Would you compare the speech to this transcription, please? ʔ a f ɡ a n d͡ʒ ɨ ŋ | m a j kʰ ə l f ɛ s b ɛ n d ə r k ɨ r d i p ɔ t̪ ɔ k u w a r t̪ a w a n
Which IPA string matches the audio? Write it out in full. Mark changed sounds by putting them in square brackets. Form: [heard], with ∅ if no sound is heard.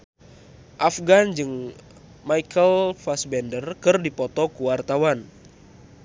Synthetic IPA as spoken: ʔ a f ɡ a n d͡ʒ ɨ ŋ | m a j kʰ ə l f [a] s b ɛ n d ə r k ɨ r d i p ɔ t̪ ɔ k u w a r t̪ a w a n